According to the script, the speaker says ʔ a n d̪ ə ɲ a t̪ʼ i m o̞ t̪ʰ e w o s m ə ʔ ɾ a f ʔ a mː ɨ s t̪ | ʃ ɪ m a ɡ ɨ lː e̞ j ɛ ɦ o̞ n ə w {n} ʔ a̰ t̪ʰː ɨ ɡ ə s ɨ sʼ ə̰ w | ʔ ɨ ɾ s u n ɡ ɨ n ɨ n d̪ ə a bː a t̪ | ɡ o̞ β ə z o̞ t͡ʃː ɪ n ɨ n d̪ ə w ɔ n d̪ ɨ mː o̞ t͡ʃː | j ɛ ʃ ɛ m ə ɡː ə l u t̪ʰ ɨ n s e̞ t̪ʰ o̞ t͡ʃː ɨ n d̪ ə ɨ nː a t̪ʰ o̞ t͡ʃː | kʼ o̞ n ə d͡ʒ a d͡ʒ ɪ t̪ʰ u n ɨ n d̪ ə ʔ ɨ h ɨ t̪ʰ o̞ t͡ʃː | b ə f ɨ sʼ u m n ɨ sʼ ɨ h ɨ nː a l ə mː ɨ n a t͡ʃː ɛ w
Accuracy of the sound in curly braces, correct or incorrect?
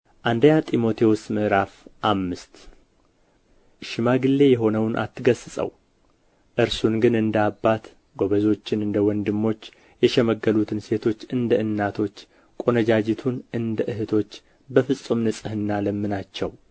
correct